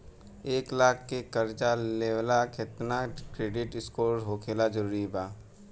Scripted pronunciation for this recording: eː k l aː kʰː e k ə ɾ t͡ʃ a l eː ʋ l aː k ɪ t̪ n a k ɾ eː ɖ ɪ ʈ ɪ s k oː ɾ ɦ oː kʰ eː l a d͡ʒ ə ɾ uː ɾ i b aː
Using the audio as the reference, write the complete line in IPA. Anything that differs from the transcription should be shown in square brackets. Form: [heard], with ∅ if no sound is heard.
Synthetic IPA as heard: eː k l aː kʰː e k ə ɾ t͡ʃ a l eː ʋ l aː k ɪ t̪ n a k ɾ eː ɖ ɪ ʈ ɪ s k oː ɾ ɦ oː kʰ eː l a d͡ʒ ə ɾ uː ɾ i b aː